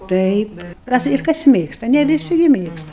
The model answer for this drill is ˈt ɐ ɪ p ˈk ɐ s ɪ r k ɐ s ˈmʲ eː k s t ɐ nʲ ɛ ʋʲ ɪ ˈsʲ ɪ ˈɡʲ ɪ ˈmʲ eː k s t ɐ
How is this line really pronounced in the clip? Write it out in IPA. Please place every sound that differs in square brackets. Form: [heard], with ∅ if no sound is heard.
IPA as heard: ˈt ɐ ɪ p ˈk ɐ s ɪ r k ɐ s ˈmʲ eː k s t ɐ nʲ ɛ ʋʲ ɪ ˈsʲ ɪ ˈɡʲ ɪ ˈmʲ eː k s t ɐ